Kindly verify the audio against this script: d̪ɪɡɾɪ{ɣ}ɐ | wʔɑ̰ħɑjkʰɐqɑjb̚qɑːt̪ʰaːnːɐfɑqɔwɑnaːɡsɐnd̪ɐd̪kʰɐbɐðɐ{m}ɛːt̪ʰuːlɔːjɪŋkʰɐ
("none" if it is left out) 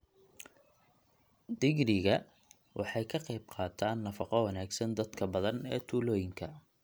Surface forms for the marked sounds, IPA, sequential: ɣ, n

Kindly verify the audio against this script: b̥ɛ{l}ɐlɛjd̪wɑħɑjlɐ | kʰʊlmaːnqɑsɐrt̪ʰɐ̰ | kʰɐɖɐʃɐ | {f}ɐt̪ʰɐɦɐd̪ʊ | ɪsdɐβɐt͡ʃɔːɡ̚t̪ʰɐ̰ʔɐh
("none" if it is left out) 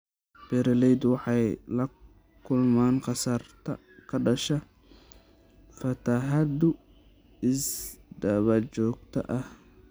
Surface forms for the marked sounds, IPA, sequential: ɾ, f

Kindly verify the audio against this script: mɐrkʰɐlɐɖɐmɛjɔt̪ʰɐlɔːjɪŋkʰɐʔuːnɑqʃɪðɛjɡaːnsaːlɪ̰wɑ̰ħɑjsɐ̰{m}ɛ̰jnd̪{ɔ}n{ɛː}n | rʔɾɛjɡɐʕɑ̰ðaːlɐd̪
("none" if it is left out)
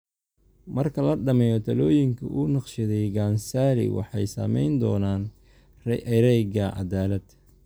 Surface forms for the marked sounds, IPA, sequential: m, ɔː, aː

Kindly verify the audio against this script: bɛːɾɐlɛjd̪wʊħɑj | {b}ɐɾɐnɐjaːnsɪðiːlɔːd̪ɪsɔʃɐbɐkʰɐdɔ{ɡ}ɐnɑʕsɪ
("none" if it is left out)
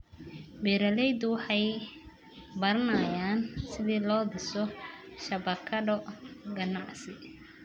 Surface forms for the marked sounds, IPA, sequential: b, ɡ

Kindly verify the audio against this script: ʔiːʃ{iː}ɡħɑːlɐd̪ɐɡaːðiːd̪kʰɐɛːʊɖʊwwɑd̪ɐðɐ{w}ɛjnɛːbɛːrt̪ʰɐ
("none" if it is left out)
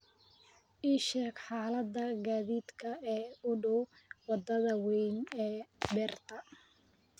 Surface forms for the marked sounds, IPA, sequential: ɛː, w

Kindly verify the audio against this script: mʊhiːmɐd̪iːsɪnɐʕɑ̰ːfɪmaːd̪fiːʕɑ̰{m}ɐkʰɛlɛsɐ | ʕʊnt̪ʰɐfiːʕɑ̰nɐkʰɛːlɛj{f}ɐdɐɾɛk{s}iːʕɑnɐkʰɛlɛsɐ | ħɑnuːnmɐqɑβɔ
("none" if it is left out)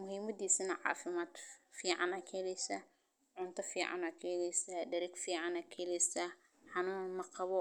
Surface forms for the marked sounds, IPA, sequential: n, s, f

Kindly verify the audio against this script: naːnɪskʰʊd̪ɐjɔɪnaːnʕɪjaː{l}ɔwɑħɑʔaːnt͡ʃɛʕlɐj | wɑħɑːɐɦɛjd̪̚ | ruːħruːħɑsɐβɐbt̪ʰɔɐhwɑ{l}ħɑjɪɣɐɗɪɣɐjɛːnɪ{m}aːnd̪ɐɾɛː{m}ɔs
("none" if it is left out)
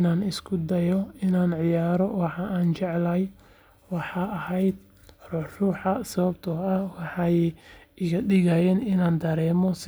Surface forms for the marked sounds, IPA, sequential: ɾ, none, n, m

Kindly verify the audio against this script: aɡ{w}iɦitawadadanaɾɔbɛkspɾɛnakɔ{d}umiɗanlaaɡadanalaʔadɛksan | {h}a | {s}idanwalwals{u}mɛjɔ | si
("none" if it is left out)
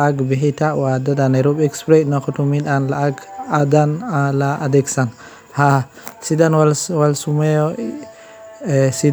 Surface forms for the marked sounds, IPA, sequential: b, t, h, s, u

